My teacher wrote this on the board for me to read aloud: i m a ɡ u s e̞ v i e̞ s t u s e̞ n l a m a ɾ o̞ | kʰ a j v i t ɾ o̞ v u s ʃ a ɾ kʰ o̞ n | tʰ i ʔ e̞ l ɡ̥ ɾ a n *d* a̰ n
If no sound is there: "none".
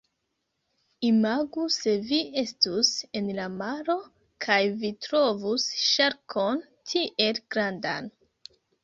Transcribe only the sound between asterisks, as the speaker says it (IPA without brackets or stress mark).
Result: d